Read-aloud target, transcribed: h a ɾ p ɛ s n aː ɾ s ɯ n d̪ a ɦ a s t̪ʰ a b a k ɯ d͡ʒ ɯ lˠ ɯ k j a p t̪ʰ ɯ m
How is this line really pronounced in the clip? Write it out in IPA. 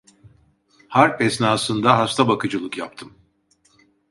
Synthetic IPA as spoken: h a ɾ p ɛ s n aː s ɯ n d̪ a ɦ a s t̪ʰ a b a k ɯ d͡ʒ ɯ lˠ ɯ k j a p t̪ʰ ɯ m